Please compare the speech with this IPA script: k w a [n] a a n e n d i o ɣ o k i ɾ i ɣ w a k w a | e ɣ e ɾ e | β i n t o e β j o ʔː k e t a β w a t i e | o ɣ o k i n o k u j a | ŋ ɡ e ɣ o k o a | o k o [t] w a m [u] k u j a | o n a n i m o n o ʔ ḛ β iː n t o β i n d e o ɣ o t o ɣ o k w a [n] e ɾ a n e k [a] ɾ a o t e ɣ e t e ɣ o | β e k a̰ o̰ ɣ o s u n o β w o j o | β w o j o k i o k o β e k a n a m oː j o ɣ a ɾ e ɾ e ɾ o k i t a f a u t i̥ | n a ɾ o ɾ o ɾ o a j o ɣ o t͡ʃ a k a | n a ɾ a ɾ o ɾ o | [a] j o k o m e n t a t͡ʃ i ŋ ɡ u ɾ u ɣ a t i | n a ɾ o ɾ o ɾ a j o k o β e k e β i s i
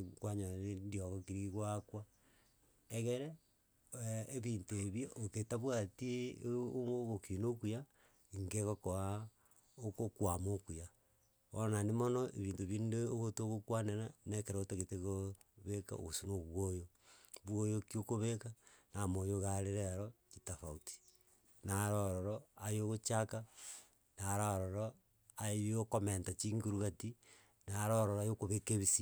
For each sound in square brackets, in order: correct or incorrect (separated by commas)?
incorrect, incorrect, incorrect, correct, incorrect, correct